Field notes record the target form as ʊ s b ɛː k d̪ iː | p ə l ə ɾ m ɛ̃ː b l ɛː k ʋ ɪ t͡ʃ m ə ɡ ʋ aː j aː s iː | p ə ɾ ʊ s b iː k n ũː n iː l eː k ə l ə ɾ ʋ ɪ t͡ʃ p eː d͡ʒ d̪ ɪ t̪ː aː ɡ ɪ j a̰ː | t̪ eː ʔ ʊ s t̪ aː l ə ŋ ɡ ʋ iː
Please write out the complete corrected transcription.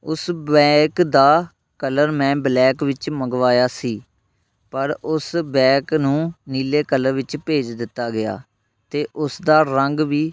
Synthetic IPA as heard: ʊ s b ɛː k d̪ aː | k ə l ə ɾ m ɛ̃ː b l ɛː k ʋ ɪ t͡ʃ m ə ɡ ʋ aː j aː s iː | p ə ɾ ʊ s b ɛː k n ũː n iː l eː k ə l ə ɾ ʋ ɪ t͡ʃ p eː d͡ʒ d̪ ɪ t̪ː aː ɡ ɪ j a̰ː | t̪ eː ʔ ʊ s d̪ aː ɾ ə ŋ ɡ ʋ iː